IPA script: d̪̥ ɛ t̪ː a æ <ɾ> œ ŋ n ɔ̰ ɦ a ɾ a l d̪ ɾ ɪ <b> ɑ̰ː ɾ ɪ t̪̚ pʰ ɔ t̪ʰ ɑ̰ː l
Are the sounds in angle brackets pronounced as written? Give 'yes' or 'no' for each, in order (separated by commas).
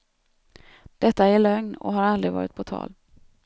no, no